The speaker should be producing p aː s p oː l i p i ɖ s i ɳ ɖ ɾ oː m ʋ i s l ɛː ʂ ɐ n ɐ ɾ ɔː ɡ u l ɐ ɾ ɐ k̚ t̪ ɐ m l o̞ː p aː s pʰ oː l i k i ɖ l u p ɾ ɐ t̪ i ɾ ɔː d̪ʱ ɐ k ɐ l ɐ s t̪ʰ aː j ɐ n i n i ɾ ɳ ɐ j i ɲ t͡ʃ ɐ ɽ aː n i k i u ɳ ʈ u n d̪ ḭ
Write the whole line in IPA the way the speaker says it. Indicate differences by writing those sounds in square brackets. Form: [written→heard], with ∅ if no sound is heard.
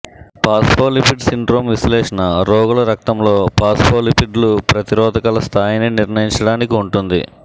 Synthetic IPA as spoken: p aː s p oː l i p i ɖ s i ɳ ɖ ɾ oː m ʋ i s l ɛː ʂ ɐ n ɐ ɾ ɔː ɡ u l ɐ ɾ ɐ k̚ t̪ ɐ m l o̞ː p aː s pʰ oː l i [k→p] i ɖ l u p ɾ ɐ t̪ i ɾ ɔː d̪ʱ ɐ k ɐ l ɐ s t̪ʰ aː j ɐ n i n i ɾ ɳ ɐ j i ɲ t͡ʃ ɐ ɽ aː n i k i u ɳ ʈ u n d̪ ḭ